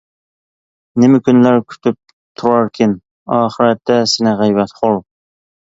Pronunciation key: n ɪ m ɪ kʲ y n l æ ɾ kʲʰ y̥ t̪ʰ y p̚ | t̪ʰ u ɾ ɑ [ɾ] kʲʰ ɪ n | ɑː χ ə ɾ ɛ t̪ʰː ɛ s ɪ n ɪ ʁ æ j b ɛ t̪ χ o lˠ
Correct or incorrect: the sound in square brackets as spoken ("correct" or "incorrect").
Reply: correct